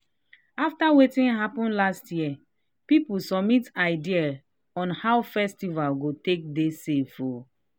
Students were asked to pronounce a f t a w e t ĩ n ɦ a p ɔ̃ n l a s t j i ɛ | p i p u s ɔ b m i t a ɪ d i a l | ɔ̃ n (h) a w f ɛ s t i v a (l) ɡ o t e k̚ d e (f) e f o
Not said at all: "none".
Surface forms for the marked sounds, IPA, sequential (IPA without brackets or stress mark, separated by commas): h, l, s